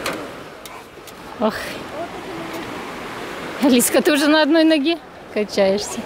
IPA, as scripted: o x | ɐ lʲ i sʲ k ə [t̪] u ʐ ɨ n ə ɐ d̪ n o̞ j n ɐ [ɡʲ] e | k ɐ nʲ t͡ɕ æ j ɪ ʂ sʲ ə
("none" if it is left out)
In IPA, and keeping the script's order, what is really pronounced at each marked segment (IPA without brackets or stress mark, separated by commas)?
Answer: t̪, ɡʲ